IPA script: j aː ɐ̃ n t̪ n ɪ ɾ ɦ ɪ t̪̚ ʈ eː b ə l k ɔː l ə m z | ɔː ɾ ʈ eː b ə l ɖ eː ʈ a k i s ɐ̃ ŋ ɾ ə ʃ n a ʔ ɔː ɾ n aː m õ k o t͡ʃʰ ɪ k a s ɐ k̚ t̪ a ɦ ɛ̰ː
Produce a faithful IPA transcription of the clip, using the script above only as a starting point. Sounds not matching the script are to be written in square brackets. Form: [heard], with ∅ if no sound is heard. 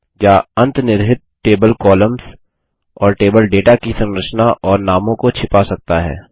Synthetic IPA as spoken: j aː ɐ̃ n t̪ n ɪ ɾ ɦ ɪ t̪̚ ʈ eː b ə l k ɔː l ə m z | ɔː ɾ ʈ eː b ə l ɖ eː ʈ a k i s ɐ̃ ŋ ɾ ə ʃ n a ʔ ɔː ɾ n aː m õ k o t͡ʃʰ ɪ [p] a s ɐ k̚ t̪ a ɦ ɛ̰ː